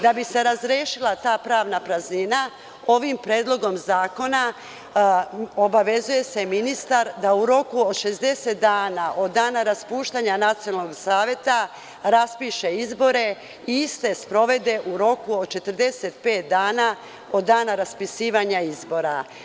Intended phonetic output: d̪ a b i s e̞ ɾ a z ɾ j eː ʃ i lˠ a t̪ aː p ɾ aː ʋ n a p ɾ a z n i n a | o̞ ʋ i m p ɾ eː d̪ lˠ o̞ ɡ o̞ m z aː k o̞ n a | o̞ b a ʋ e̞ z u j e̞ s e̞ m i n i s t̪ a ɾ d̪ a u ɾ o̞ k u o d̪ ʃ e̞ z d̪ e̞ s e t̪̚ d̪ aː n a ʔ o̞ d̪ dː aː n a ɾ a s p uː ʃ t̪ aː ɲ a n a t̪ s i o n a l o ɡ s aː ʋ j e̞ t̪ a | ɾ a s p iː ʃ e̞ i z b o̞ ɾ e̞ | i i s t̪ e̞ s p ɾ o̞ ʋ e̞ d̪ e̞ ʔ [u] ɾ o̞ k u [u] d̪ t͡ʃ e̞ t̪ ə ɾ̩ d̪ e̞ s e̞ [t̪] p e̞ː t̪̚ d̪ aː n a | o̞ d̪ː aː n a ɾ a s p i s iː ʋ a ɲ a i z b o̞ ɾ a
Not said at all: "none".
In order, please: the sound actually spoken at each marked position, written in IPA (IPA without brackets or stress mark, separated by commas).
u, o, t̪